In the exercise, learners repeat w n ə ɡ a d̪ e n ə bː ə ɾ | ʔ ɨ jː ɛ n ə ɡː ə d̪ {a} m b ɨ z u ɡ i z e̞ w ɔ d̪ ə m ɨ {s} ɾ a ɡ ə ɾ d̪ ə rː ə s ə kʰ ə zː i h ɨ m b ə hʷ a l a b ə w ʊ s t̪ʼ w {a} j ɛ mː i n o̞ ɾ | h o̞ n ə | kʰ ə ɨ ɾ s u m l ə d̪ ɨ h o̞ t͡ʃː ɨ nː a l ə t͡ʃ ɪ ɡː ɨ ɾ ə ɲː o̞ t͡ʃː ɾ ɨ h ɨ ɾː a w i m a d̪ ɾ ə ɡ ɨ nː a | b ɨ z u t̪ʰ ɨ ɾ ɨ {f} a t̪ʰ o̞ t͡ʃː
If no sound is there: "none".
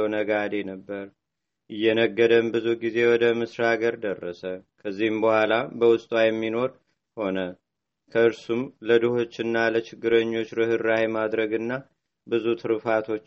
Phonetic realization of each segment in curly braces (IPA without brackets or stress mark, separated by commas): ə, s, a, f